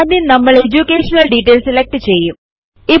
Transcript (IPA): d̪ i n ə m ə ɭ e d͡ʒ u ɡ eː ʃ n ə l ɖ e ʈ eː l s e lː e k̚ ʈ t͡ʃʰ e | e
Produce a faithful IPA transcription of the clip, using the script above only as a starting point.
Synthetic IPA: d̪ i n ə m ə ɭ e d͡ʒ u k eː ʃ n ə l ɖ i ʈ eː l s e l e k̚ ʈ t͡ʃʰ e | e